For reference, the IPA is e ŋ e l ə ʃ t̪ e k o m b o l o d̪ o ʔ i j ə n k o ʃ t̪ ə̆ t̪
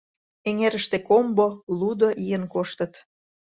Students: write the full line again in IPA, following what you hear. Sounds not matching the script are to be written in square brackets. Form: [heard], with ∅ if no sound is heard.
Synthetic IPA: e ŋ e [ɾ] ə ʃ t̪ e k o m b o l [u] d̪ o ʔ i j ə n k o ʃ t̪ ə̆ t̪